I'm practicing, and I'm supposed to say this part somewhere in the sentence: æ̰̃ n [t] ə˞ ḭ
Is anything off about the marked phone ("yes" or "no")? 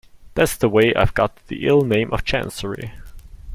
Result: yes